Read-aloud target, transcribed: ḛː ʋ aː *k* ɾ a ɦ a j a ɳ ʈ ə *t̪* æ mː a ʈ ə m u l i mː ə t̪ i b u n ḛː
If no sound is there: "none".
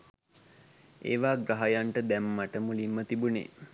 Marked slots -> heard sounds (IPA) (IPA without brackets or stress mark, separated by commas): ɡ, d̪